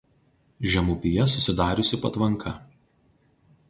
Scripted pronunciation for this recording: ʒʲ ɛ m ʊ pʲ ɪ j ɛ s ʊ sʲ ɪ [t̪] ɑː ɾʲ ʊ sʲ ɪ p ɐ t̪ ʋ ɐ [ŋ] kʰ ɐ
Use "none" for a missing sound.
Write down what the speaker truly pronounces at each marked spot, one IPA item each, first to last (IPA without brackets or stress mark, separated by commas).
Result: d̪, ŋ